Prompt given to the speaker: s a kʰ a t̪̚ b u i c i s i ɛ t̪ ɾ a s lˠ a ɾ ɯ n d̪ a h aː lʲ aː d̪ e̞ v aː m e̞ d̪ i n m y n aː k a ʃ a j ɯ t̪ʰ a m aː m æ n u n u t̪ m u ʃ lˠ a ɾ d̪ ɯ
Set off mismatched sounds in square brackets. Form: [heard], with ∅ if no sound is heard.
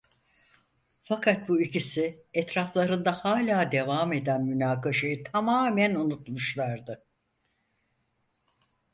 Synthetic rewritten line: [f] a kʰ a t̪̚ b u i c i s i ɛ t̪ ɾ a [f] lˠ a ɾ ɯ n d̪ a h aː lʲ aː d̪ e̞ v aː m e̞ d̪ [æ] n m y n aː k a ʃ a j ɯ t̪ʰ a m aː m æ n u n u t̪ m u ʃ lˠ a ɾ d̪ ɯ

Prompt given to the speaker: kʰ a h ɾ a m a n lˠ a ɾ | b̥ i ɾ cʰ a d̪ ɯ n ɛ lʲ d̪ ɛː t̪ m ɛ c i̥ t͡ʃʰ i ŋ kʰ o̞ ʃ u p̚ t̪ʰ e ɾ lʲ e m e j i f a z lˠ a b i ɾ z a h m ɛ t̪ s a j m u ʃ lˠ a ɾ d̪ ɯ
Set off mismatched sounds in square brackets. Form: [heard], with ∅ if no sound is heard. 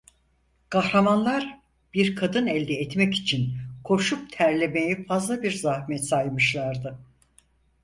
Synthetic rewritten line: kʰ a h ɾ a m a n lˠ a ɾ | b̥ i ɾ [kʰ] a d̪ ɯ n ɛ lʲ d̪ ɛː t̪ m ɛ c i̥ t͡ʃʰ i [n] kʰ o̞ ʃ u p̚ t̪ʰ [æ] ɾ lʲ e m e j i f a z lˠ a b i ɾ z a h m ɛ t̪ s a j m [ɯ] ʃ lˠ a ɾ d̪ ɯ

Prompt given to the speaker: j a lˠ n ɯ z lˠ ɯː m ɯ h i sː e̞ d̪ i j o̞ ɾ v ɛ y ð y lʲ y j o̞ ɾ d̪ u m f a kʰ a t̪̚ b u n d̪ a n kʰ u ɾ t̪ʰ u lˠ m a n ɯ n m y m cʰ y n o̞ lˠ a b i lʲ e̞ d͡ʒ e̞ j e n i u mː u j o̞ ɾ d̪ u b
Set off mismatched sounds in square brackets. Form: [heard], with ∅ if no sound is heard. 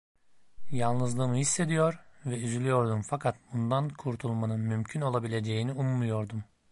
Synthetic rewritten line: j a lˠ n ɯ z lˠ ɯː m ɯ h i sː e̞ d̪ i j o̞ ɾ v ɛ y [z] y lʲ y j o̞ ɾ d̪ u m f a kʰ a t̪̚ b u n d̪ a n kʰ u ɾ t̪ʰ u lˠ m a n ɯ n m y m cʰ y n o̞ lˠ a b i lʲ e̞ d͡ʒ e̞ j [i] n i u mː u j o̞ ɾ d̪ u [m]

